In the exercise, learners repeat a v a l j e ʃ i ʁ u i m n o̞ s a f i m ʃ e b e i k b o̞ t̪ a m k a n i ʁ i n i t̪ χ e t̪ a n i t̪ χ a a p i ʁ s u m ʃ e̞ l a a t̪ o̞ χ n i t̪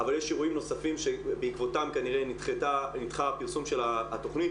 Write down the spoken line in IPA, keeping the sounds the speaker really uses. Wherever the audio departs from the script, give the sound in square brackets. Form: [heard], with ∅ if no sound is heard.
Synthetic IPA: a v a l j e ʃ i ʁ u i m n o̞ s a f i m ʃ e b e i k [v] o̞ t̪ a m k a n i ʁ [e] n i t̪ χ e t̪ a n i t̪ χ a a p i ʁ s u m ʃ e̞ l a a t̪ o̞ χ n i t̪